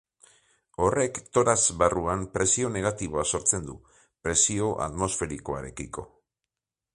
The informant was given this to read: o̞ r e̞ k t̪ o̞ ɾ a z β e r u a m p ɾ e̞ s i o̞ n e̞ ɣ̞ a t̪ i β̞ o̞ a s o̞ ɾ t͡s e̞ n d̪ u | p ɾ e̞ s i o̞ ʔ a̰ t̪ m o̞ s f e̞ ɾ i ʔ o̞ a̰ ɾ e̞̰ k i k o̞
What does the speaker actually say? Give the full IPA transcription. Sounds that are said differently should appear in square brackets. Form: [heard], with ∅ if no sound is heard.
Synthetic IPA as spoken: o̞ r e̞ k t̪ o̞ ɾ a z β [a] r u a m p ɾ e̞ s i o̞ n e̞ ɣ̞ a t̪ i β̞ o̞ a s o̞ ɾ t͡s e̞ n d̪ u | p ɾ e̞ s i o̞ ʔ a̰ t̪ m o̞ s f e̞ ɾ i [k] o̞ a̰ ɾ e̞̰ k i k o̞